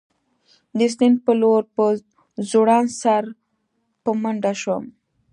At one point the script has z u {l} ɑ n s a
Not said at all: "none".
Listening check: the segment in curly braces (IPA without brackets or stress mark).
ɽ